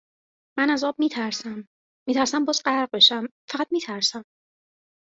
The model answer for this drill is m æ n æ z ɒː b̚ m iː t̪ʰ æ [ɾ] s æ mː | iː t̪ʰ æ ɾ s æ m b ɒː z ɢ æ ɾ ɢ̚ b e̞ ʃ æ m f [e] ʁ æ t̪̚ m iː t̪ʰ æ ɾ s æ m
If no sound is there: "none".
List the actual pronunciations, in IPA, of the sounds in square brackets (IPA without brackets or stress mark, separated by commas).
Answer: ɾ, æ